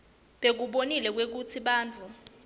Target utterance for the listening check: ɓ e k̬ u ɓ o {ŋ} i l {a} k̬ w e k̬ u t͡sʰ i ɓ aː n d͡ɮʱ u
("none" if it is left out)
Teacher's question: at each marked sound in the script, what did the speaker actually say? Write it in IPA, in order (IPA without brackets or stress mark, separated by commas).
n, ɛ